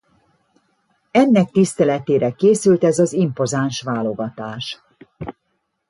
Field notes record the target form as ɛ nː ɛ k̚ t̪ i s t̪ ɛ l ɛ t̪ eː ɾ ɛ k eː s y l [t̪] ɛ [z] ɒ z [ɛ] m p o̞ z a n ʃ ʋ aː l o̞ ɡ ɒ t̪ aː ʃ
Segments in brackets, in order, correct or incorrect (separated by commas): correct, correct, incorrect